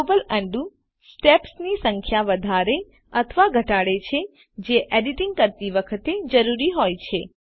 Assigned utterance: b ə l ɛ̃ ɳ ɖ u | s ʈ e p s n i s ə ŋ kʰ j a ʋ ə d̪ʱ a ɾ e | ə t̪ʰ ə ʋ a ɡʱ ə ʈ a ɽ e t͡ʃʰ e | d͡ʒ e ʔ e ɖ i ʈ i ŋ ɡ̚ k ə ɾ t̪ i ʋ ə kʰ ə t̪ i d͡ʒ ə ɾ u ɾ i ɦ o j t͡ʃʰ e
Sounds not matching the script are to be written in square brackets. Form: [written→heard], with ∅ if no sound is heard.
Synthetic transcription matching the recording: b ə l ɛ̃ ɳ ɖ u | s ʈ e p s n i s ə ŋ kʰ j a ʋ ə d̪ʱ a ɾ e | ə t̪ʰ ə ʋ a ɡʱ ə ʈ a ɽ e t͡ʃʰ e | d͡ʒ e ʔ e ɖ i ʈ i ŋ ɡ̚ k ə ɾ t̪ i ʋ ə kʰ ə t̪ [i→e] d͡ʒ ə ɾ u ɾ i ɦ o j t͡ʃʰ e